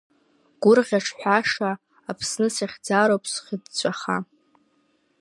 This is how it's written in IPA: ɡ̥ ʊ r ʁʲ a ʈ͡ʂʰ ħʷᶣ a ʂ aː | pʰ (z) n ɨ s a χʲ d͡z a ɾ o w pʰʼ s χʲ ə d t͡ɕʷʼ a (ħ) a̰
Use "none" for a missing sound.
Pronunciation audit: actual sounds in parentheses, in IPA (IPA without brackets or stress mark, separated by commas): s, χ